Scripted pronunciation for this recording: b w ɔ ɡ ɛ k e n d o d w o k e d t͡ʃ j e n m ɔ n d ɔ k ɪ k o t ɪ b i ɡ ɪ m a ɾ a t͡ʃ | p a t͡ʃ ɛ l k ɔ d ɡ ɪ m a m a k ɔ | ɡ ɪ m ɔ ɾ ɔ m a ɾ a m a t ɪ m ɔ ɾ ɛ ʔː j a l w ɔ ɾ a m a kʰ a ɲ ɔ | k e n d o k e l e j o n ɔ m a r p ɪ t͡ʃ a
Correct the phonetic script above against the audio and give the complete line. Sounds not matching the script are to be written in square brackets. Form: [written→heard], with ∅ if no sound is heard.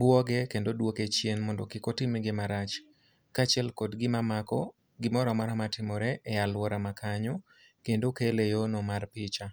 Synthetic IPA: b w ɔ ɡ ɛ k e n d o d w o k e [d→∅] t͡ʃ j e n m ɔ n d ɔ k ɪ k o t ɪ [b→m] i ɡ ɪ m a ɾ a t͡ʃ | [p→k] a t͡ʃ ɛ l k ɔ d ɡ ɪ m a m a k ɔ | ɡ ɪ m ɔ ɾ ɔ m a ɾ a m a t ɪ m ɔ ɾ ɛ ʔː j a l w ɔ ɾ a m a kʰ a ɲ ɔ | k e n d o k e l e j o n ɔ m a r p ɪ t͡ʃ a